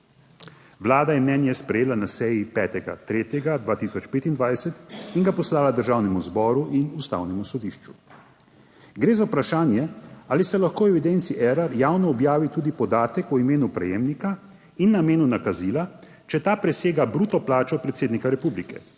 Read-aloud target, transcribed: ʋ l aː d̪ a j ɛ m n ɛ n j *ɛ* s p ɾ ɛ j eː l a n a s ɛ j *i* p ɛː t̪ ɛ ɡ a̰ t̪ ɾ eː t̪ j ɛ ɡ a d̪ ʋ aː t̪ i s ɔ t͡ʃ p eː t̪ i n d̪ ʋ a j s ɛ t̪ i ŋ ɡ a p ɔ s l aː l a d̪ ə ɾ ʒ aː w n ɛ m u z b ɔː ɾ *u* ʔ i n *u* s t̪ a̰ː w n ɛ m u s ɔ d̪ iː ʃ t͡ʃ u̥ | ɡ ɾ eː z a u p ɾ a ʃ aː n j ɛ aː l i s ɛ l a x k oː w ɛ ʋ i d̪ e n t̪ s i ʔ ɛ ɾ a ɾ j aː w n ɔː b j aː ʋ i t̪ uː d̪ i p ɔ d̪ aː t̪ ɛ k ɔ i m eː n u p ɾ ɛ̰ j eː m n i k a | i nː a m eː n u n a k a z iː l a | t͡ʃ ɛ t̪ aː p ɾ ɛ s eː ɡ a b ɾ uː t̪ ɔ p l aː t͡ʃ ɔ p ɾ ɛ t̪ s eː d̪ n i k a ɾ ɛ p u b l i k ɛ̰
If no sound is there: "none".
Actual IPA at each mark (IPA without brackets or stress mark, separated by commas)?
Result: ɛ, i, u, u